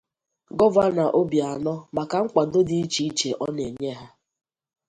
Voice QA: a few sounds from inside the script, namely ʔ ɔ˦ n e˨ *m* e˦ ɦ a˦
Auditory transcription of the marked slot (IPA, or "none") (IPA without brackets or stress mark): ɲ